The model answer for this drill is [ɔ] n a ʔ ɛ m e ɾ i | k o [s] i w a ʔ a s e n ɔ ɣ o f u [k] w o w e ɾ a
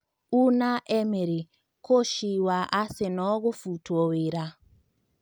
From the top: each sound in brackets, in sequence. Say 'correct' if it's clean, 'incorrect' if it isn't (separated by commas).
incorrect, incorrect, incorrect